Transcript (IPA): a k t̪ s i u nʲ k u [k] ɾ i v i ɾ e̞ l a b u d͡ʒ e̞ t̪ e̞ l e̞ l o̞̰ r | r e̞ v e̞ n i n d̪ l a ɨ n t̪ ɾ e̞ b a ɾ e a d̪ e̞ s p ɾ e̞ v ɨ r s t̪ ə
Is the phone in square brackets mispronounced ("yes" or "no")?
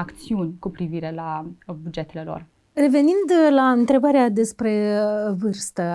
yes